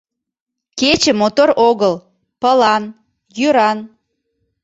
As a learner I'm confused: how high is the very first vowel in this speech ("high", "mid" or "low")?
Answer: mid